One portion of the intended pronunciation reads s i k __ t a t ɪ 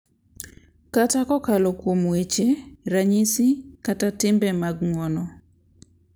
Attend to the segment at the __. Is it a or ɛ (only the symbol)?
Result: a